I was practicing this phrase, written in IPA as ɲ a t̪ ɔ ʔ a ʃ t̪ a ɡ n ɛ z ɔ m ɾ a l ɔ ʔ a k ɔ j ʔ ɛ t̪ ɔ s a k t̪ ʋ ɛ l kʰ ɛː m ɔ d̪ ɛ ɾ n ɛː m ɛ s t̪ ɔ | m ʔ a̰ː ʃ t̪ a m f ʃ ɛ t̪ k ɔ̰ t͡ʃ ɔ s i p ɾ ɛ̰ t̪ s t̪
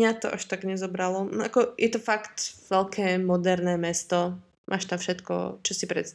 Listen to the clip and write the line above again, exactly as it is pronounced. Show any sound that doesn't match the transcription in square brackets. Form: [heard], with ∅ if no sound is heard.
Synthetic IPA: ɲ a t̪ ɔ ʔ a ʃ t̪ a ɡ [ɲ] ɛ z ɔ [b] ɾ a l ɔ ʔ a k ɔ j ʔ ɛ t̪ ɔ [f] a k t̪ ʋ ɛ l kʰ ɛː m ɔ d̪ ɛ ɾ n ɛː m ɛ s t̪ ɔ | m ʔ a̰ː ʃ t̪ a m f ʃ ɛ t̪ k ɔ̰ t͡ʃ ɔ s i p ɾ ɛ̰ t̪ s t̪